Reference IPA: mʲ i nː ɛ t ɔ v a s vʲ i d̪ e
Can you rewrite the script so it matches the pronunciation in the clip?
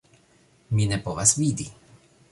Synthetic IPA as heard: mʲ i n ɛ p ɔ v a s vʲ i d̪ i